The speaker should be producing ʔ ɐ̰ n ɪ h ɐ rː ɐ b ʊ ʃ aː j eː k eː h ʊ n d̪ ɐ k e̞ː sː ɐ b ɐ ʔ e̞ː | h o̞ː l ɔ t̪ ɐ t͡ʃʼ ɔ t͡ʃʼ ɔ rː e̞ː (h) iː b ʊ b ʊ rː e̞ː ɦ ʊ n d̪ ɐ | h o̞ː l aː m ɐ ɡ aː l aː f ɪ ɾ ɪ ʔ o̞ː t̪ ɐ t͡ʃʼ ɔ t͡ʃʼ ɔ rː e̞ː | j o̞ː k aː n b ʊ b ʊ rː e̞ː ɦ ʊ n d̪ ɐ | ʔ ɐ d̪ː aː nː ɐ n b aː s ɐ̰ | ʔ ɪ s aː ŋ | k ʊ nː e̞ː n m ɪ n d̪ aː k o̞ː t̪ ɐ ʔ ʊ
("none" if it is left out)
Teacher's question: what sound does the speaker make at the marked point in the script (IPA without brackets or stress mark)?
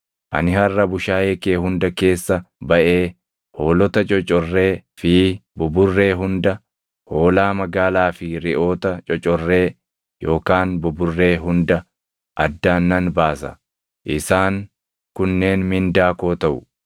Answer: f